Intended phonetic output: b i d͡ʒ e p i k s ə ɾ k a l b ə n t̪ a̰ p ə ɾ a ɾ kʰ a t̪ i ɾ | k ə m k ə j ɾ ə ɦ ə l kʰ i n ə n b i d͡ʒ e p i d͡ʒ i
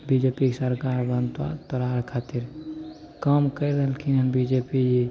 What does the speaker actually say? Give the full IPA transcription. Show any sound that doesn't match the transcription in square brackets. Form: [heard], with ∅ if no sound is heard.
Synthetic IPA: b i d͡ʒ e p i k s ə ɾ k a [ɾ] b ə n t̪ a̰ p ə ɾ a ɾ kʰ a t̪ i ɾ | k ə m k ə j ɾ ə ɦ ə l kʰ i n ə n b i d͡ʒ e p i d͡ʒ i